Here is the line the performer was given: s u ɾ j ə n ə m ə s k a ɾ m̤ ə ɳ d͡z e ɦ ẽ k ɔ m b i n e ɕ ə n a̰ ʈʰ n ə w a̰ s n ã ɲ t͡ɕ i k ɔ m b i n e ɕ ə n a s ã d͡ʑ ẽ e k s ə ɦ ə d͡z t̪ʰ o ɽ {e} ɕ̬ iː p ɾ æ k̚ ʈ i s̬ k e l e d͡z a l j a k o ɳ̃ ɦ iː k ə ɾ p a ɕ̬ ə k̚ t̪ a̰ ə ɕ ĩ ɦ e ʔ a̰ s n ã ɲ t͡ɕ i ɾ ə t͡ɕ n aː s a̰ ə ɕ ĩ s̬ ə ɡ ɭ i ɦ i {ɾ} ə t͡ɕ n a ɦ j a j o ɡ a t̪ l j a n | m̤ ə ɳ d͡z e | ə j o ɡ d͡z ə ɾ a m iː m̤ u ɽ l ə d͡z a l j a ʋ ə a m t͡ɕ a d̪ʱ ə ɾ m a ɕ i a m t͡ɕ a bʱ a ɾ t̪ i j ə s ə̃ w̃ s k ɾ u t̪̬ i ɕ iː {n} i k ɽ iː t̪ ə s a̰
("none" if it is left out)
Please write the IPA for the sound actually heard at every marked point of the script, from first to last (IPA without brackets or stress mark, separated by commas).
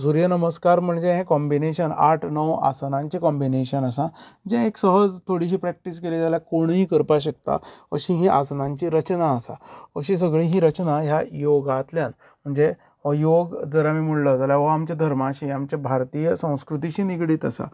i, ɾ, n